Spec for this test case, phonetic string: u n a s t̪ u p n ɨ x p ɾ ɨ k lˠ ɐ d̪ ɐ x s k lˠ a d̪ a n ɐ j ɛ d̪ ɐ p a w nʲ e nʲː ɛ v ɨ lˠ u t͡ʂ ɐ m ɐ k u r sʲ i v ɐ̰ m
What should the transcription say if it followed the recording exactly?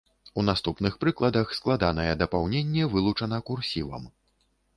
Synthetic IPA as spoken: u n a s t̪ u p n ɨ x p ɾ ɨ k lˠ ɐ d̪ ɐ x s k lˠ a d̪ a n ɐ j ɛ d̪ ɐ p a w nʲ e nʲː ɛ v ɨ lˠ u t͡ʂ ɐ n ɐ k u r sʲ i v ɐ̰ m